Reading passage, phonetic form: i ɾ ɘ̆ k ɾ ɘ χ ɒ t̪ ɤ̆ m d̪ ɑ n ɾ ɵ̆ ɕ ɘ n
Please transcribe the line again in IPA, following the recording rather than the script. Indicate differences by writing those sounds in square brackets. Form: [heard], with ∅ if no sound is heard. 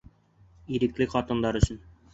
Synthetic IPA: i ɾ ɘ̆ k [l] ɘ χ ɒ t̪ ɤ̆ [n] d̪ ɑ [∅] ɾ ɵ̆ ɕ ɘ n